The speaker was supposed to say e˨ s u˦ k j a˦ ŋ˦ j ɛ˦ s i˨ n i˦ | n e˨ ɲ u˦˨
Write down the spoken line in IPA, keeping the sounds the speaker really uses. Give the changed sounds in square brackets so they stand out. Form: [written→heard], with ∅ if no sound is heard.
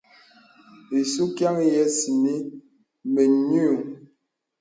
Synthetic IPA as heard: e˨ s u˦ k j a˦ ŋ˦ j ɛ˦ s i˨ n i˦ | [n→m] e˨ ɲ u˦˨